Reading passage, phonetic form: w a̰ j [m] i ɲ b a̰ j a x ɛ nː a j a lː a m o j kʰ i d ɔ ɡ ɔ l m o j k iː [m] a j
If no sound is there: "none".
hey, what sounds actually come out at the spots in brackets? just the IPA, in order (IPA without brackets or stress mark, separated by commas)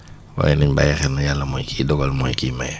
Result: n, m